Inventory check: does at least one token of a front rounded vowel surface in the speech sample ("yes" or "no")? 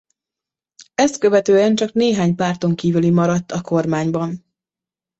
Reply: yes